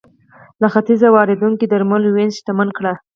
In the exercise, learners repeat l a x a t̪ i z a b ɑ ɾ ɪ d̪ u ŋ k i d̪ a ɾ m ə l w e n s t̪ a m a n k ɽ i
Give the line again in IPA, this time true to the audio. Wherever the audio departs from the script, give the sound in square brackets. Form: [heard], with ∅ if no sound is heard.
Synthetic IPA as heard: l a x a t̪ i z a [w] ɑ ɾ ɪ d̪ u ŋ k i d̪ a ɾ m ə l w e n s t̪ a m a n k ɽ [a]